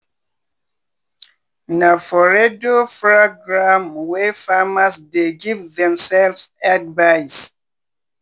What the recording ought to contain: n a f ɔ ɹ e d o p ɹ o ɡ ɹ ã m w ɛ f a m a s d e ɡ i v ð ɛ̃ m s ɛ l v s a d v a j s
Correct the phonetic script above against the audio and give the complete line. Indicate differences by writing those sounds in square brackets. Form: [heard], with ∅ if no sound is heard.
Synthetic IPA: n a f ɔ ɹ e d o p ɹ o ɡ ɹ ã m w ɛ f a m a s d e ɡ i v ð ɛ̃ m s ɛ l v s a d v a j s